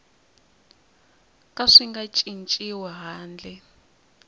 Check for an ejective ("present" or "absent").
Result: present